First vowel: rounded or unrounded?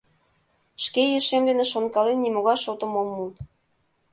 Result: unrounded